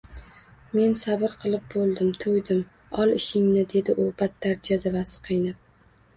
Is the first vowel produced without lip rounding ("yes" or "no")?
yes